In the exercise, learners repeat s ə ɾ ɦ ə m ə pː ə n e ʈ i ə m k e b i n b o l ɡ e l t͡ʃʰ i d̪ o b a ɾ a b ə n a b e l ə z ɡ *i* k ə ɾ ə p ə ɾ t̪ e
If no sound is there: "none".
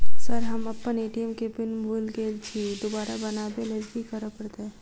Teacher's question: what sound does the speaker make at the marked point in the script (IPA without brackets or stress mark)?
i